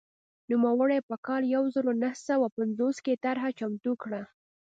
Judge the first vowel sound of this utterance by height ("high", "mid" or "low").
high